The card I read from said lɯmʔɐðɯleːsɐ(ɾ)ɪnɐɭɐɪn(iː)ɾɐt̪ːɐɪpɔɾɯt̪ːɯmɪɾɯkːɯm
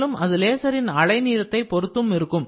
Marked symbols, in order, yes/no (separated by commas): yes, yes